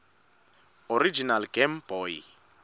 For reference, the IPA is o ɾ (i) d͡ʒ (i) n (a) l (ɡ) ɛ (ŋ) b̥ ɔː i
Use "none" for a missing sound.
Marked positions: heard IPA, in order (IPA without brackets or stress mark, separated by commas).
i, i, a, ɡ, m